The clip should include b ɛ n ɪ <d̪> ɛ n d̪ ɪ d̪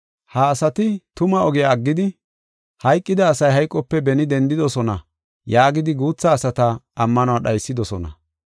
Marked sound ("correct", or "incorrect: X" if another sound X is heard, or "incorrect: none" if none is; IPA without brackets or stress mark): correct